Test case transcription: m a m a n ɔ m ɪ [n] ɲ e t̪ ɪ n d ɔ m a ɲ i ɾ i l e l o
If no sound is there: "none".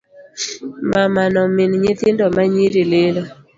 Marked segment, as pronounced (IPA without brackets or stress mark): n